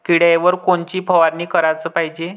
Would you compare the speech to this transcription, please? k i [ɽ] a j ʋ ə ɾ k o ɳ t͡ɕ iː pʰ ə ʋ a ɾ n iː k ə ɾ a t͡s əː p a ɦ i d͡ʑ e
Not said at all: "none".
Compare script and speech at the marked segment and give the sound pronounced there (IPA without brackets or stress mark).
ɽ